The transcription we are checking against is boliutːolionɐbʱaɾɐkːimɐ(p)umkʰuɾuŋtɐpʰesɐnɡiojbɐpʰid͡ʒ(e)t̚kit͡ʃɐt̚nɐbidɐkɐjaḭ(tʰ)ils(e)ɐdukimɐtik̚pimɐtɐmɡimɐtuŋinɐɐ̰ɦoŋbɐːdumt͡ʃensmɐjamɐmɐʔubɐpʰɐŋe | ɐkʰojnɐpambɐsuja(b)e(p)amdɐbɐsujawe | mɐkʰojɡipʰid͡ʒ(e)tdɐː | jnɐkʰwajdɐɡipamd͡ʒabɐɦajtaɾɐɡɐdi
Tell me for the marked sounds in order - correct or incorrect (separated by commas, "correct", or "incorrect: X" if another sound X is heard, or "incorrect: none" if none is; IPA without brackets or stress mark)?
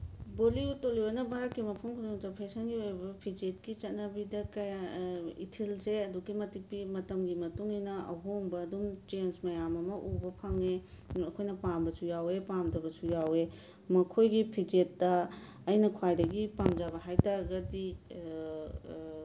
incorrect: pʰ, correct, correct, correct, incorrect: w, correct, correct